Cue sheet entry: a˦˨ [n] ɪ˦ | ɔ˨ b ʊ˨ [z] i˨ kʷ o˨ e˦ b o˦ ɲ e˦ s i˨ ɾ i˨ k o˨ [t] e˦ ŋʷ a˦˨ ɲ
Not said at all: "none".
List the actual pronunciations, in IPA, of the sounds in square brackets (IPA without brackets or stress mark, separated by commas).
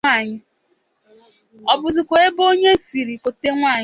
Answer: ɲ, z, t